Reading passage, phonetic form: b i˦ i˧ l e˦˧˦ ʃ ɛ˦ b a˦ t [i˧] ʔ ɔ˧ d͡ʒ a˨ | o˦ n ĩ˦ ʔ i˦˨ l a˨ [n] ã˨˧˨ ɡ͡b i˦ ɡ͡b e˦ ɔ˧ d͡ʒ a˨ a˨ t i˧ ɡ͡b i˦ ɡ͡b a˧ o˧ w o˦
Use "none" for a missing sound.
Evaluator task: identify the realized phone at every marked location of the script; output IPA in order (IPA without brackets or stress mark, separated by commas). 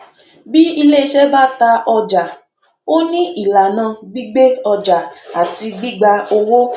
a˧, n